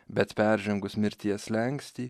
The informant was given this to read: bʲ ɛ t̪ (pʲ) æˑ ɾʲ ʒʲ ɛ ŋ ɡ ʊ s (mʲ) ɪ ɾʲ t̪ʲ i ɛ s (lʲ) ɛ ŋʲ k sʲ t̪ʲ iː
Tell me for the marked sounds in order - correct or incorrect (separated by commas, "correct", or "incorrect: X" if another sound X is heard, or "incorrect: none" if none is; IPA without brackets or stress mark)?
correct, correct, correct